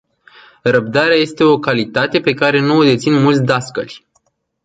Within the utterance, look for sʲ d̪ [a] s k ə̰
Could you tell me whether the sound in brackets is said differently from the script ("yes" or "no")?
no